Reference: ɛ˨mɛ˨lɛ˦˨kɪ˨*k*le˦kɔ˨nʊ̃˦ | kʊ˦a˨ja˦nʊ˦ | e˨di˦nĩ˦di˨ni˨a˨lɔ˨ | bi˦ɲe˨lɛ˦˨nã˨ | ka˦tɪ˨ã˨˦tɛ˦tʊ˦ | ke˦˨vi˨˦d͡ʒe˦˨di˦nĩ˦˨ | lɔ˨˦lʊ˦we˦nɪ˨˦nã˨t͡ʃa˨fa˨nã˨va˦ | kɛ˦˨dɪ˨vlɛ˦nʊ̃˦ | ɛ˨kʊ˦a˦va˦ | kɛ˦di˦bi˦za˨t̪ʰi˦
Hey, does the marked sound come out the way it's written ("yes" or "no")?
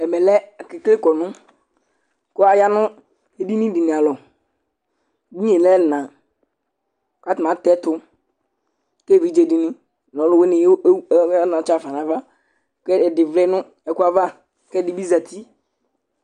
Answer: yes